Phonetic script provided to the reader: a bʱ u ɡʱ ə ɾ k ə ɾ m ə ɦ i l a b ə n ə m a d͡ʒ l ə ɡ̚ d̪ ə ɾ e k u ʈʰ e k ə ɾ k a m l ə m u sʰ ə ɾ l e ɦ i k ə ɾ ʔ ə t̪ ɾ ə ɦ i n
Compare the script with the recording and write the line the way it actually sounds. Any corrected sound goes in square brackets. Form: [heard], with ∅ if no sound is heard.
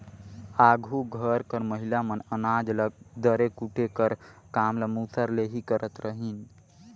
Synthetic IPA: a [ɡʱ] u ɡʱ ə ɾ k ə ɾ m ə ɦ i l a [m] ə n ə [n] a d͡ʒ l ə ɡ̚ d̪ ə ɾ e k u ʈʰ e k ə ɾ k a m l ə m u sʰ ə ɾ l e ɦ i k ə ɾ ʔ ə t̪ ɾ ə ɦ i n